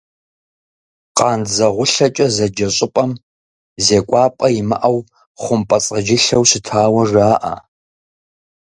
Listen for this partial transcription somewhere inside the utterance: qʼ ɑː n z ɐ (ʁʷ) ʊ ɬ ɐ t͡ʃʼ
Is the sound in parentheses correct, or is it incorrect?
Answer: correct